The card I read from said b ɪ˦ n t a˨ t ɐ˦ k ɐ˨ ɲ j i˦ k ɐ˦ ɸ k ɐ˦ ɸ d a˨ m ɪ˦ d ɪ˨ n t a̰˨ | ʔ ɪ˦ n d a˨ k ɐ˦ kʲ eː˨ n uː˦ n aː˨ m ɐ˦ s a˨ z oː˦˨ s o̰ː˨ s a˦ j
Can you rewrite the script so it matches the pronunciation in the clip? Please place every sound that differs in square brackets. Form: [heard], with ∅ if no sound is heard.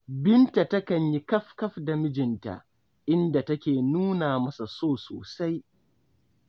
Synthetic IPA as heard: b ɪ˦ n t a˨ t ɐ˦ k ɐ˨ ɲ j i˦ k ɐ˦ ɸ k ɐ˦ ɸ d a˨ m ɪ˦ [d͡ʒ] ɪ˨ n t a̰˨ | ʔ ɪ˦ n d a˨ [t] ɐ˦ kʲ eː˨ n uː˦ n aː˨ m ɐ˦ s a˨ [s] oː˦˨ s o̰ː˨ s a˦ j